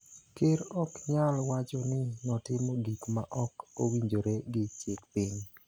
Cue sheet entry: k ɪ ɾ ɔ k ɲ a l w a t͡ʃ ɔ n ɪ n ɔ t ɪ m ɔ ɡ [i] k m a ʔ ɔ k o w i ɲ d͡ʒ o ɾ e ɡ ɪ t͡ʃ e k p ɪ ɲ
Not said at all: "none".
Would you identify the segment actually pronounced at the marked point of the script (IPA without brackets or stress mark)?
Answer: i